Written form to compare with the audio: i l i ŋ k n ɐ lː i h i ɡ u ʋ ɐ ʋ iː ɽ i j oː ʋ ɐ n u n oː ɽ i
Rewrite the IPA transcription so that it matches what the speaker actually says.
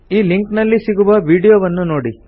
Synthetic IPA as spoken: iː l i ŋ k n ɐ lː i s i ɡ u ʋ ɐ ʋ iː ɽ i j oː ʋ ɐ nː u n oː ɽ i